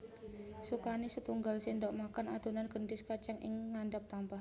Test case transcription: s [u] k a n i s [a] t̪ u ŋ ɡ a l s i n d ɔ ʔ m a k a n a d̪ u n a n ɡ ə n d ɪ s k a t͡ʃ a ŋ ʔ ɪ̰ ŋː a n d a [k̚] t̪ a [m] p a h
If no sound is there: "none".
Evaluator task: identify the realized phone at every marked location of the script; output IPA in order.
u, ə, p̚, m

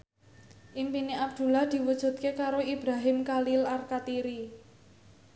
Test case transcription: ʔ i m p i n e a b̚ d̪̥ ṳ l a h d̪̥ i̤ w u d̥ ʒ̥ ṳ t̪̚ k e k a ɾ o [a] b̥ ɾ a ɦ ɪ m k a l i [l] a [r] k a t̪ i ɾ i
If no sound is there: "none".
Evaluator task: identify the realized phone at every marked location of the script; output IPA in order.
i, l, r

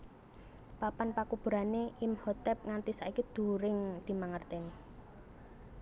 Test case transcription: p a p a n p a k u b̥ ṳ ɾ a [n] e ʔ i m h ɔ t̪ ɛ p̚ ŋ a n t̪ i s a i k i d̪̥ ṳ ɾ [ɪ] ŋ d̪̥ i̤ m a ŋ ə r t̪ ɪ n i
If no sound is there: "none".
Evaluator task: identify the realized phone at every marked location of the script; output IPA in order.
n, ɪ

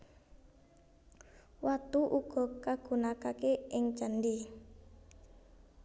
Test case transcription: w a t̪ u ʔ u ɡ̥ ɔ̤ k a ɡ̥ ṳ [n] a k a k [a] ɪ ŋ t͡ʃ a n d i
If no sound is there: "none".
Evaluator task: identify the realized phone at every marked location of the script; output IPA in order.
n, e

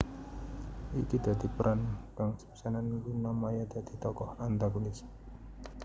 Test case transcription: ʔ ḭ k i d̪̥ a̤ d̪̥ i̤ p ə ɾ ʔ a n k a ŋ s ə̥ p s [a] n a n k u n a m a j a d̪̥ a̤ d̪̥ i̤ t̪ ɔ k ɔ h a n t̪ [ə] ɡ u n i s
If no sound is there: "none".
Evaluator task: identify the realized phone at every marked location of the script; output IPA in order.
a, a

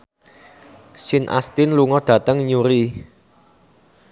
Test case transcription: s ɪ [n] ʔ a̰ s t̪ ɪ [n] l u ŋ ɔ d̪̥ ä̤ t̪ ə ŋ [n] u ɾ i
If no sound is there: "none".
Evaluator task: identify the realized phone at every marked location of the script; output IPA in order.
n, n, ɲ

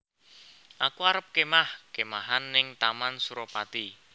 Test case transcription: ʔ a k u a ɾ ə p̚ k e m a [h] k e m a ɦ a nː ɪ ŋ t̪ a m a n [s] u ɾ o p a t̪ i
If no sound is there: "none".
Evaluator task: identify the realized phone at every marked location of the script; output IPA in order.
h, s

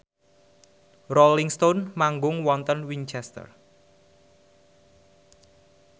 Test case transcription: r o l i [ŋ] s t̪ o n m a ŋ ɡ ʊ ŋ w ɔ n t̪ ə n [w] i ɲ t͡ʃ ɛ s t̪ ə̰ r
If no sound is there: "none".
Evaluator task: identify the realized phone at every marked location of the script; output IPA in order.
ŋ, w

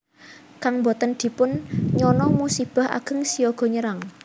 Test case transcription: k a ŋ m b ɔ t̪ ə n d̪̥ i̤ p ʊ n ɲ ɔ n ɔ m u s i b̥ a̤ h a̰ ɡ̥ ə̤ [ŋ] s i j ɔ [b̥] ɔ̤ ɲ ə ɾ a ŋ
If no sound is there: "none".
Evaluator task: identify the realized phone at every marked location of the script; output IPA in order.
ŋ, ɡ̥

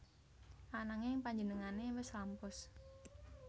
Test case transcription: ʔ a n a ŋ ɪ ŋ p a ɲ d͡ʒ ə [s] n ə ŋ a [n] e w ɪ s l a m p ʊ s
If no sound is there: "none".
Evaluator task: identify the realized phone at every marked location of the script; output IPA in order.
none, n

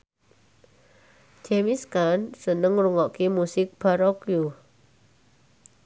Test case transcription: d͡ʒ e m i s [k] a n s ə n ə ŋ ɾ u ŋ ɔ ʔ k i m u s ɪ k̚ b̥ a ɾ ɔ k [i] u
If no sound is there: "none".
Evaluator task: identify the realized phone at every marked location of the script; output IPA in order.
k, j

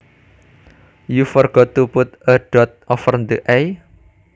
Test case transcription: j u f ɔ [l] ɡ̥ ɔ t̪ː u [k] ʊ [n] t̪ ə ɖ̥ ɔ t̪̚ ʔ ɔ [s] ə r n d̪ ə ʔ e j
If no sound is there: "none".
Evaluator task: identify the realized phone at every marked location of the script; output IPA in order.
r, p, none, f

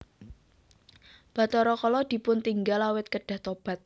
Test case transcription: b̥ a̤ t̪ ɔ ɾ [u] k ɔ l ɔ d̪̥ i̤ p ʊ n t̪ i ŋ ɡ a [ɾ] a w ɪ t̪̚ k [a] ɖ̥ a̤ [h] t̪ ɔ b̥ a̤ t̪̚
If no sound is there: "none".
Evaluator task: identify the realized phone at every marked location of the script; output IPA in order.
ɔ, l, ə, h

